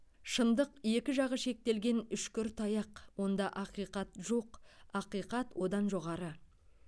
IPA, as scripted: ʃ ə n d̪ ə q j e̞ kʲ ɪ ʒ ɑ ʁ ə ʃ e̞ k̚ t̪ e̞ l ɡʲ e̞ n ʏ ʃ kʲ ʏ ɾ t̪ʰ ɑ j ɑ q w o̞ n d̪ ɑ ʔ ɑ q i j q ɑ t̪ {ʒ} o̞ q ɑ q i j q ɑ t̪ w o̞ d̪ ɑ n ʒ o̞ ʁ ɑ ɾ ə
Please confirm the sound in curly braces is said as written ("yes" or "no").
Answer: yes